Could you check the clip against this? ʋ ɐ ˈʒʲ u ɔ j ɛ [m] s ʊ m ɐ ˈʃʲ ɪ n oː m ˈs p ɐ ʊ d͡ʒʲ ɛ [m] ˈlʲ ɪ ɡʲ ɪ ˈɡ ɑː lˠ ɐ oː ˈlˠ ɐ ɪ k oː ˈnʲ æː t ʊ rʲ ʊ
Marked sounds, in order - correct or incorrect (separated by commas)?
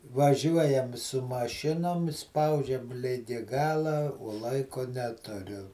correct, correct